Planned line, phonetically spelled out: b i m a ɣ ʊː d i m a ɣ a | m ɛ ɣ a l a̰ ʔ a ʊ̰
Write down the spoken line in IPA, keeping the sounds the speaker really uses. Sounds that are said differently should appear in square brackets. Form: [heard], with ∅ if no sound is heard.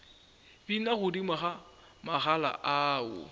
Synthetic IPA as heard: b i [n] a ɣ [ʊ] d i m a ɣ a | m [a] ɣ a l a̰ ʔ a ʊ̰